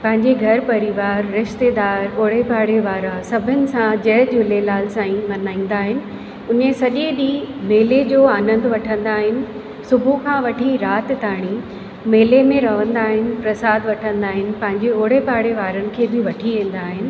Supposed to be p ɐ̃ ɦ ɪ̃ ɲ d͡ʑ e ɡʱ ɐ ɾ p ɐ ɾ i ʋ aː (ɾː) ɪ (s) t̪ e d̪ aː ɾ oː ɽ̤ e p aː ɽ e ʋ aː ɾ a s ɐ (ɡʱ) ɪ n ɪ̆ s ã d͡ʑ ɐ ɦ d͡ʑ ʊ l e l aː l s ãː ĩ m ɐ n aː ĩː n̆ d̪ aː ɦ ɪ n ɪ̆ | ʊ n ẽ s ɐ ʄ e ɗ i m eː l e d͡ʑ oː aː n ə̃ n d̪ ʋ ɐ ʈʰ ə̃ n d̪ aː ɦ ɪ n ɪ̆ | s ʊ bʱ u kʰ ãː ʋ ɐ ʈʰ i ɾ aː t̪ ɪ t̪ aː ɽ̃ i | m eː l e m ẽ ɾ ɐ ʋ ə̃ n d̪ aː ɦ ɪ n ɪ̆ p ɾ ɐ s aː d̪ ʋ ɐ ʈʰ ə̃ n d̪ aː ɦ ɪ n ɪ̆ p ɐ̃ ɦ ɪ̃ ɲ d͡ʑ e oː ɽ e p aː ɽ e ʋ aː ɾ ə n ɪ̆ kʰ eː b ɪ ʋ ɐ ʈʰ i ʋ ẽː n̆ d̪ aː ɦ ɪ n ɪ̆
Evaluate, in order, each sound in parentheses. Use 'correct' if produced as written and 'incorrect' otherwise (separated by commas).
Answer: correct, incorrect, incorrect